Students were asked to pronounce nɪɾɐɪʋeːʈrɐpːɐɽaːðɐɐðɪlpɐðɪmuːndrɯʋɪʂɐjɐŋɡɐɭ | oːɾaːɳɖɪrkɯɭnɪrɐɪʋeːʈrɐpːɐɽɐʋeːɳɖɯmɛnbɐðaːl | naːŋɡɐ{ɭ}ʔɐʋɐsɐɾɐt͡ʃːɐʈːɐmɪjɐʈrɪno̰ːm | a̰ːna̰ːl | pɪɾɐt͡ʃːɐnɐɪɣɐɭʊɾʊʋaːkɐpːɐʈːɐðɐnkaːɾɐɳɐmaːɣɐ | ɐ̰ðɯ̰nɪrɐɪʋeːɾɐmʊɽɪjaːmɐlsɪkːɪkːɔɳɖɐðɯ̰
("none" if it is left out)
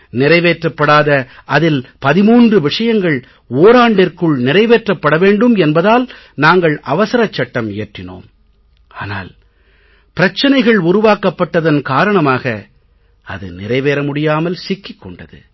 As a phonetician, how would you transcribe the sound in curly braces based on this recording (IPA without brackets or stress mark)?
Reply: ɭ